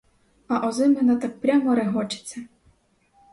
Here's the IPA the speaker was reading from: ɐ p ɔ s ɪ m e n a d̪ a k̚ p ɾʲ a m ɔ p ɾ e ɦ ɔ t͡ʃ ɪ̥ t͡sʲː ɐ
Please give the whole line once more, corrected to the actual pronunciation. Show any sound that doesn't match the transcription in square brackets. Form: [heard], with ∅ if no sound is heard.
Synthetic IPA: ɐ [ʔ] ɔ [z] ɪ m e n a [t̪] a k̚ p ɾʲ a m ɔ [∅] ɾ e ɦ ɔ t͡ʃ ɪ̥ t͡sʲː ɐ